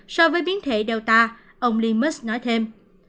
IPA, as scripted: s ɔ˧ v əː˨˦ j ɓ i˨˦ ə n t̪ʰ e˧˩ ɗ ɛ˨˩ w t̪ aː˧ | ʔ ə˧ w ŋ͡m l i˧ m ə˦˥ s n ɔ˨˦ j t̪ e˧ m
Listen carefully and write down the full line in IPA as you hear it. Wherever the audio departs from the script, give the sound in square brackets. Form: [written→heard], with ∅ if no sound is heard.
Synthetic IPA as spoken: s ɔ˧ v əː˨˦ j ɓ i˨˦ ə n t̪ʰ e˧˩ ɗ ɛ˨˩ w t̪ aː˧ | ʔ ə˧ w ŋ͡m l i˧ m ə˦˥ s n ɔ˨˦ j [t̪→t̪ʰ] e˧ m